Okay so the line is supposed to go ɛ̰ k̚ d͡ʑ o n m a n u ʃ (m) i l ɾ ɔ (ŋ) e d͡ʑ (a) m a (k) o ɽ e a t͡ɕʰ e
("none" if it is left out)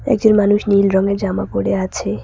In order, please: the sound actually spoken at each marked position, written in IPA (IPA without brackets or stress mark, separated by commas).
n, ŋ, a, p